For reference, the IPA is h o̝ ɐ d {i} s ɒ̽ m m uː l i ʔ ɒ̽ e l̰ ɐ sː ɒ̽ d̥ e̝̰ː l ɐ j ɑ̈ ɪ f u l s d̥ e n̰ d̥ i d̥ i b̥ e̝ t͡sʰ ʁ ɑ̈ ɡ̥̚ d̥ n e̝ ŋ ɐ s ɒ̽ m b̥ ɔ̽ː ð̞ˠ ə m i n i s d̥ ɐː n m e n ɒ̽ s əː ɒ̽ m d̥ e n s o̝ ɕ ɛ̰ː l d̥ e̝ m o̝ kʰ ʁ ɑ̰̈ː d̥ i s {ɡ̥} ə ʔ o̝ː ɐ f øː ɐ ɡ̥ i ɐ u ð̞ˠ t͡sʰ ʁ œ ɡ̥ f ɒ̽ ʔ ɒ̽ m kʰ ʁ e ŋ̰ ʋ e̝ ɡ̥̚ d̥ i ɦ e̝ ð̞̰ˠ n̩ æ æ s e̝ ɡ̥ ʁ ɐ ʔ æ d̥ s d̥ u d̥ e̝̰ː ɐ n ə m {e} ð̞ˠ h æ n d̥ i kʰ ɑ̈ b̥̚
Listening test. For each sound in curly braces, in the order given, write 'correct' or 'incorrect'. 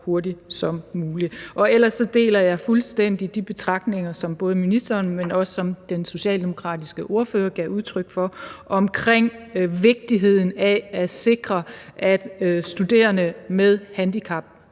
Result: correct, correct, correct

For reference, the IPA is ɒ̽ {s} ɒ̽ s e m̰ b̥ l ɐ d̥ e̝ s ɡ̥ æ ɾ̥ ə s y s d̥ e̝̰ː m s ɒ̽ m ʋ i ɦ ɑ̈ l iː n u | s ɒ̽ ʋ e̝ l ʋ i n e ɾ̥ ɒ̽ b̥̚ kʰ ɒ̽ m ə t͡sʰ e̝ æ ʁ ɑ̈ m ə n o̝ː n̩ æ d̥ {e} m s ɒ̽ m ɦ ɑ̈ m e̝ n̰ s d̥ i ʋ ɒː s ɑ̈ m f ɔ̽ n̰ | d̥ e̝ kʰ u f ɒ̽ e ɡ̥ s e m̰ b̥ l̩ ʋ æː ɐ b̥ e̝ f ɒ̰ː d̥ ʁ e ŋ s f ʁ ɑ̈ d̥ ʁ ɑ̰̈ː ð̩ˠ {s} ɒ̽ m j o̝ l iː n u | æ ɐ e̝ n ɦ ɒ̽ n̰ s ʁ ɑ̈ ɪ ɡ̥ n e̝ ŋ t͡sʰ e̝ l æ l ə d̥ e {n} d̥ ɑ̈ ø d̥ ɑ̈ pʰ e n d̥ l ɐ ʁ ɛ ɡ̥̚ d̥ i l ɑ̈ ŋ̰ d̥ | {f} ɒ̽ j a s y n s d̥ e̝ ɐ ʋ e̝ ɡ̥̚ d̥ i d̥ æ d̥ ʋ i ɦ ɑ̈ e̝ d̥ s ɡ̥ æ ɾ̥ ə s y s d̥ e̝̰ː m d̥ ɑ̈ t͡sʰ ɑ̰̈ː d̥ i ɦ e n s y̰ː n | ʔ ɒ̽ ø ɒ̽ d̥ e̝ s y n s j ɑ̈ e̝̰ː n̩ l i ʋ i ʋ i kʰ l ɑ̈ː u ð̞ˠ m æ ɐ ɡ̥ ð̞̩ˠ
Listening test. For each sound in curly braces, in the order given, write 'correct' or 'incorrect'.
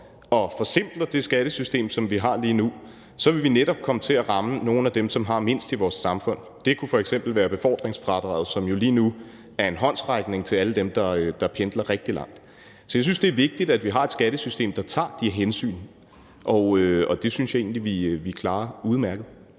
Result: incorrect: f, correct, correct, incorrect: m, incorrect: s

